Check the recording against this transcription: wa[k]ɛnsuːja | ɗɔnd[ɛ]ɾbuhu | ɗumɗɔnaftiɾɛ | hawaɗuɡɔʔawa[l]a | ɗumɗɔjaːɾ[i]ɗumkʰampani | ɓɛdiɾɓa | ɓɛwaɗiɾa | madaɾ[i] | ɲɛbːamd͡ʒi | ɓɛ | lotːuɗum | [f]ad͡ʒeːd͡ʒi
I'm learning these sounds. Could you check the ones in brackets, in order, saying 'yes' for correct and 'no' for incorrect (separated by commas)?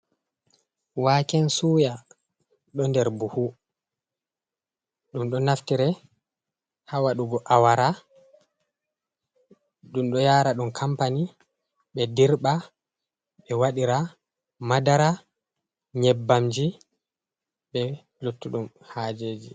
yes, yes, no, no, no, no